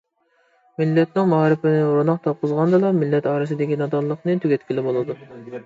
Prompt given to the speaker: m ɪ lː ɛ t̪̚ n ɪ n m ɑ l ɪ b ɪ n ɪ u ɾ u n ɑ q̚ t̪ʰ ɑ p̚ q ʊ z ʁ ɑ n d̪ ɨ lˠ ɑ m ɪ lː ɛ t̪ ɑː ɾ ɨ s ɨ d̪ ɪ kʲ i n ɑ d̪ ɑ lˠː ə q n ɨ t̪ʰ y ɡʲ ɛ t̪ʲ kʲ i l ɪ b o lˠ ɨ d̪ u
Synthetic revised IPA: m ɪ lː ɛ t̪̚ n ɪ ŋ m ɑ ɾ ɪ p ɪ n ɪ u ɾ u n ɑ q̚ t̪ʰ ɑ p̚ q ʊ z ʁ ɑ n d̪ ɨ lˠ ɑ m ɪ lː ɛ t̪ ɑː ɾ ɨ s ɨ d̪ ɪ kʲ i n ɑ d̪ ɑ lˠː ə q n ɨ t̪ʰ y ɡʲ ɛ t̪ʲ kʲ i l ɪ b o lˠ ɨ d̪ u

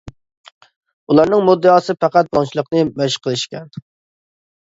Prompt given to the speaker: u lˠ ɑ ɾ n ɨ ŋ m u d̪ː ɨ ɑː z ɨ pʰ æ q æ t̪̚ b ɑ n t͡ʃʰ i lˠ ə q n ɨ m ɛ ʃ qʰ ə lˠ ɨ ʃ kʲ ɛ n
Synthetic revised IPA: u lˠ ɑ ɾ n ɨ ŋ m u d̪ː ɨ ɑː s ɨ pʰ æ q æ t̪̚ b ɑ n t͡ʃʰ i lˠ ə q n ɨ m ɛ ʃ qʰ ə lˠ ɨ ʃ kʲ ɛ n

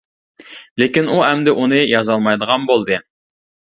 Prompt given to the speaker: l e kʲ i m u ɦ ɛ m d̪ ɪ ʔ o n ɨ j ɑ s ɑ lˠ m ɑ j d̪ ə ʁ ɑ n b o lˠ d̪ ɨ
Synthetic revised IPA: l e kʲ i n u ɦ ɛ m d̪ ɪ ʔ u n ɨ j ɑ z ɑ lˠ m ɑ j d̪ ə ʁ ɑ n b o lˠ d̪ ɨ

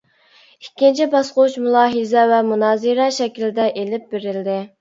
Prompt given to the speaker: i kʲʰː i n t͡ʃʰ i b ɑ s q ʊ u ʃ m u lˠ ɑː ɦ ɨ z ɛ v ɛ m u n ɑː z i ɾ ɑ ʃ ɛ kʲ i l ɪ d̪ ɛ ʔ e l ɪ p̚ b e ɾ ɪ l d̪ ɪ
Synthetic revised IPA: i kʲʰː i n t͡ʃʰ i b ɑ s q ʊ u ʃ m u lˠ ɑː ɦ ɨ z ɛ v ɛ m u n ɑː z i ɾ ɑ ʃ ɛ kʲ i l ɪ d̪ ɛ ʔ e l ɪ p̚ b e ɾ ɪ l d̪ ɪ

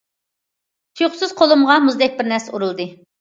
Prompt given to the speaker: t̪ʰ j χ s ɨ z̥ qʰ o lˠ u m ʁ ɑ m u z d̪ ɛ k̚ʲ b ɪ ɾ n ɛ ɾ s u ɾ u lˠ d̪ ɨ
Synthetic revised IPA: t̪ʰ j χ s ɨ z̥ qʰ o lˠ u m ʁ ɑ m u z d̪ ɛ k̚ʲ b ɪ ɾ n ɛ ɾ s u ɾ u lˠ d̪ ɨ

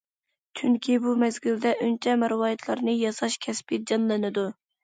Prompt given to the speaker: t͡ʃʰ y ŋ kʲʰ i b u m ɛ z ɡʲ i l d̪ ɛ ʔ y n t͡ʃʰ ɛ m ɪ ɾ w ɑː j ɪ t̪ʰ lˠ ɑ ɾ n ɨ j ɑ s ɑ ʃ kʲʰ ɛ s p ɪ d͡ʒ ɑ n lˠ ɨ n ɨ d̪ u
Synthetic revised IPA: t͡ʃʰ y ŋ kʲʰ i b u m ɛ z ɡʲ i l d̪ ɛ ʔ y n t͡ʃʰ ɛ m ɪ ɾ w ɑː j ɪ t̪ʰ lˠ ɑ ɾ n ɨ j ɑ s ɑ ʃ kʲʰ ɛ s p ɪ d͡ʒ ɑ n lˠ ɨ n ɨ d̪ u

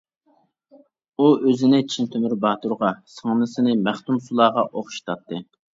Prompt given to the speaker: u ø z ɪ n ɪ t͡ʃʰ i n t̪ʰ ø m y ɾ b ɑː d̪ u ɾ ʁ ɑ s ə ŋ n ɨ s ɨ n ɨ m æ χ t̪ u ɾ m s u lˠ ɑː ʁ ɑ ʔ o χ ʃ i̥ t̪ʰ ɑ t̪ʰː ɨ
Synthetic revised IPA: u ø z ɪ n ɪ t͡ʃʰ i n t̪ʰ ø m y ɾ b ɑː t̪ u ɾ ʁ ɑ s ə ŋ n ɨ s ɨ n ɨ m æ χ t̪ u m s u lˠ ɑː ʁ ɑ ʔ o χ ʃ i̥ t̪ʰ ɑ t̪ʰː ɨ

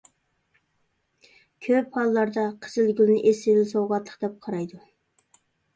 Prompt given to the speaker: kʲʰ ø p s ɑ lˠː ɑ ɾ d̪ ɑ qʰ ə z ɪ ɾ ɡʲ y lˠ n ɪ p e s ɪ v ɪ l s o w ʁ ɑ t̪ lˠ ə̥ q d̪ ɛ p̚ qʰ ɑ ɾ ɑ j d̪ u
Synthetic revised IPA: kʲʰ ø p h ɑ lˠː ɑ ɾ d̪ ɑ qʰ ə z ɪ l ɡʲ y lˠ n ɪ ʔ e s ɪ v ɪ l s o w ʁ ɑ t̪ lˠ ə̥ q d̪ ɛ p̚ qʰ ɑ ɾ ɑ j d̪ u

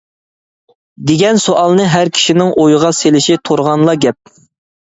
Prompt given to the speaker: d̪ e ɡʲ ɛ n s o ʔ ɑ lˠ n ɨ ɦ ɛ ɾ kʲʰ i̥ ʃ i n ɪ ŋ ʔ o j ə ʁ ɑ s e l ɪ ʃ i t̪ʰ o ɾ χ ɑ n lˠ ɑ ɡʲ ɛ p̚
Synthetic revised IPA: d̪ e ɡʲ ɛ n s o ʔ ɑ lˠ n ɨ ɦ æ ɾ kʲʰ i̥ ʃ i n ɪ ŋ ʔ o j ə ʁ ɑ s e l ɪ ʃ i t̪ʰ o ɾ ʁ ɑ n lˠ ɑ ɡʲ ɛ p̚

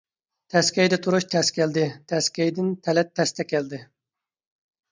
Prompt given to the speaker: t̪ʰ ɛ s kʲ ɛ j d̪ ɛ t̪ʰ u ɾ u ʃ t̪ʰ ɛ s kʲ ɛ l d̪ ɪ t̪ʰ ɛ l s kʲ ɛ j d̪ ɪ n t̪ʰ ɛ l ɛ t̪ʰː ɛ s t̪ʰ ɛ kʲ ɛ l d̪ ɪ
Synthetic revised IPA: t̪ʰ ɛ s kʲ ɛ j d̪ ɛ t̪ʰ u ɾ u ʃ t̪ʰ ɛ s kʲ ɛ l d̪ ɪ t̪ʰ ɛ s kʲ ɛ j d̪ ɪ n t̪ʰ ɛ l ɛ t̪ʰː ɛ s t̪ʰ ɛ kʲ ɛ l d̪ ɪ

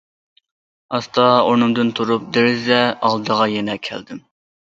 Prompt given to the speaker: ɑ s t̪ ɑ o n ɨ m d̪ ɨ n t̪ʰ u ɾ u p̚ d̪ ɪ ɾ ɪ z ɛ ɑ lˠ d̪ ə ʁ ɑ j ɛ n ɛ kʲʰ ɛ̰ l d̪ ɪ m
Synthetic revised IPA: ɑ s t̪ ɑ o n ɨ m d̪ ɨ n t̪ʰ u ɾ u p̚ d̪ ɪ ɾ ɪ z ɛ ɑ lˠ d̪ ə ʁ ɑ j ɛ n ɛ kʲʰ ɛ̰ l d̪ ɪ m

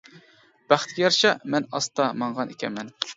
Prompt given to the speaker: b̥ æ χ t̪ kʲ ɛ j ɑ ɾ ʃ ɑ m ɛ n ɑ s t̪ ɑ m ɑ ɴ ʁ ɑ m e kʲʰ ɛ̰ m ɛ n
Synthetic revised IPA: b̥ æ χ t̪ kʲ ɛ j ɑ ɾ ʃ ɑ m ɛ n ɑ s t̪ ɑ m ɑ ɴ ʁ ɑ n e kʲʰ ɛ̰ m ɛ n

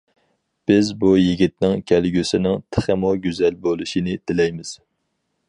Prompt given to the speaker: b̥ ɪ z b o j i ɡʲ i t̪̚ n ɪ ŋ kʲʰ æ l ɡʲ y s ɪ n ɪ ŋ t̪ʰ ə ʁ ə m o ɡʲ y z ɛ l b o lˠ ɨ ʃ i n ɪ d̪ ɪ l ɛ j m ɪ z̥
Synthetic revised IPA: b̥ ɪ z b u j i ɡʲ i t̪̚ n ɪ ŋ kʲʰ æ l ɡʲ y s ɪ n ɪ ŋ t̪ʰ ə χ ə m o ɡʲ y z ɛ l b o lˠ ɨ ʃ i n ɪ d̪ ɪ l ɛ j m ɪ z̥

